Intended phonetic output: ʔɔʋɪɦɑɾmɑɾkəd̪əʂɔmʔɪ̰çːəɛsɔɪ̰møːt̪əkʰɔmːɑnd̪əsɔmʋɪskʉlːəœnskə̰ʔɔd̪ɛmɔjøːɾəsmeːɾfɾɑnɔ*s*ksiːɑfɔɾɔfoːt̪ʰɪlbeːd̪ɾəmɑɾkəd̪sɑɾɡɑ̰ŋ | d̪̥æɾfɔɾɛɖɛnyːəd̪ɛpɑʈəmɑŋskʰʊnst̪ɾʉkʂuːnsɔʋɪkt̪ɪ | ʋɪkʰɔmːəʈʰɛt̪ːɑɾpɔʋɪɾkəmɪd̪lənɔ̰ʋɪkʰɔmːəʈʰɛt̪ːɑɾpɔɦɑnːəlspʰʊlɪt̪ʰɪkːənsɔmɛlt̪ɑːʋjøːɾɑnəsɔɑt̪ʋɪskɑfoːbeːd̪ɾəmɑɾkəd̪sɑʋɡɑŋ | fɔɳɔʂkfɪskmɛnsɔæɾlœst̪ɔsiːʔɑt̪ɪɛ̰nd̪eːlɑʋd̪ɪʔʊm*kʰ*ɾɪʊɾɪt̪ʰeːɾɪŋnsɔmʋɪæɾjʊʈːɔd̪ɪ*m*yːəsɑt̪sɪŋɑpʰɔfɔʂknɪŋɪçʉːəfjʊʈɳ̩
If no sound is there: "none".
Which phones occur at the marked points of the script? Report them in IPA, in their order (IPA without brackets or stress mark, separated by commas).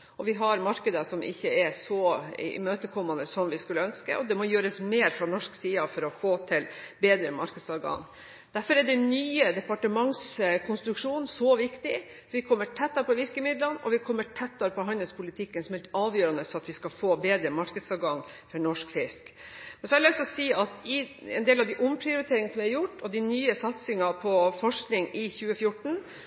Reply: ʂ, pʰ, n